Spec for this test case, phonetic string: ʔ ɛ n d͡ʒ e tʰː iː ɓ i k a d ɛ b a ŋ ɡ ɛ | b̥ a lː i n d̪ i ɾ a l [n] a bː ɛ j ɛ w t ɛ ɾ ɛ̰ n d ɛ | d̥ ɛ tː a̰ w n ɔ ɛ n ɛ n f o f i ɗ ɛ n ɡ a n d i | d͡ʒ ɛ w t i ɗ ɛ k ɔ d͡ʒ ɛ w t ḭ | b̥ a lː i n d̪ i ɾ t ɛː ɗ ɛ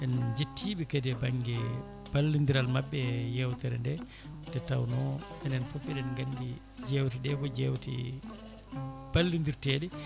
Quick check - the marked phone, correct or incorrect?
incorrect